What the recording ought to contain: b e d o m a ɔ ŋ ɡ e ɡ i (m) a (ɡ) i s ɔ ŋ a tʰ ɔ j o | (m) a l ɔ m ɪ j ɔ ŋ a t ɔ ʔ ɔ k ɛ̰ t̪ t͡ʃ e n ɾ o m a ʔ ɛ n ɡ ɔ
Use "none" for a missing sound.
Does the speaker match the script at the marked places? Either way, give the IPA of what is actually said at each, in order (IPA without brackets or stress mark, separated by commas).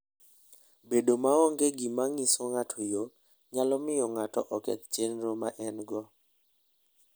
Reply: m, ŋ, ɲ